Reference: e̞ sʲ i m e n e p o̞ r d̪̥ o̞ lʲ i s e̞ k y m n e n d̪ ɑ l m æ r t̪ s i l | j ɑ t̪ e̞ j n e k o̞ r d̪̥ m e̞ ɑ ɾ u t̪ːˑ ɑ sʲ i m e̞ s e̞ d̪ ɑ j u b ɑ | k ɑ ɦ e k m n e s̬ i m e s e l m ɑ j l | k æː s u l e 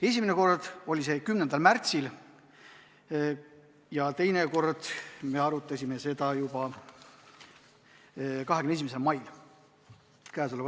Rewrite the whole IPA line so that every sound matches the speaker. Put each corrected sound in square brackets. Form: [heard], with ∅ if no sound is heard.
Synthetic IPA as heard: e̞ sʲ i m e n e [k] o̞ r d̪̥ o̞ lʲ i s e̞ k y m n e n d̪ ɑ l m æ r t̪ s i l | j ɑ t̪ e̞ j n e k o̞ r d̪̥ m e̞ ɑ ɾ u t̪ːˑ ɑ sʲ i m e̞ s e̞ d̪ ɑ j u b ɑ | k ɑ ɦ e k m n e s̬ i m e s e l m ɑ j l | k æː s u l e